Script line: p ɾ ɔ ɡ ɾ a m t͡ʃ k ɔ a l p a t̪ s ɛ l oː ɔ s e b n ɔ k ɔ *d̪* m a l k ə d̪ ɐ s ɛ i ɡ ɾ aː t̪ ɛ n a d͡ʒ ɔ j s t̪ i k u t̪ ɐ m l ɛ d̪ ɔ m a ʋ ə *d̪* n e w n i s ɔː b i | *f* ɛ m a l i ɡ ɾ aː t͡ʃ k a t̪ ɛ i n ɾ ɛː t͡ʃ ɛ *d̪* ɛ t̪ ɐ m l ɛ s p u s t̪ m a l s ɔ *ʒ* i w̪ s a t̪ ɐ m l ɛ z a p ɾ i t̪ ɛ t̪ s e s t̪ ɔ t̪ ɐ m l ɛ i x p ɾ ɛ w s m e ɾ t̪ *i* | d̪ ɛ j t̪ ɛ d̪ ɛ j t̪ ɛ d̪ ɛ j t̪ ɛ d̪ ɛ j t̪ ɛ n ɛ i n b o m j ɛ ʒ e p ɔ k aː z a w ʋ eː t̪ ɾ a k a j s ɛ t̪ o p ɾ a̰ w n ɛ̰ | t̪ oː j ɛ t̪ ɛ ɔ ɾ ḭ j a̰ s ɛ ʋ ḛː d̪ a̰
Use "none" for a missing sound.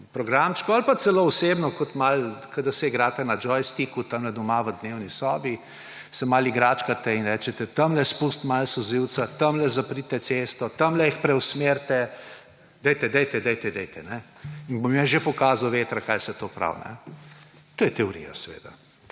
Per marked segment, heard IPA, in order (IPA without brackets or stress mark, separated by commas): t̪, d̪, s, t̪, z, ɛ